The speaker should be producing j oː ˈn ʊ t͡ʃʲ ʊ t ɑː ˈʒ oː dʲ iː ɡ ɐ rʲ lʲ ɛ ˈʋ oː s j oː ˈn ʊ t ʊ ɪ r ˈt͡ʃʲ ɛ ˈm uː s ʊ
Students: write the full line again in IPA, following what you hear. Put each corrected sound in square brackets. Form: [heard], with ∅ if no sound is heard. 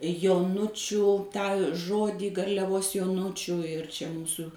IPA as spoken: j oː ˈn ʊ t͡ʃʲ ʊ t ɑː ˈʒ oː dʲ iː ɡ ɐ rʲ lʲ ɛ ˈʋ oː s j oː ˈn ʊ [t͡ʃʲ] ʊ ɪ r ˈt͡ʃʲ ɛ ˈm uː s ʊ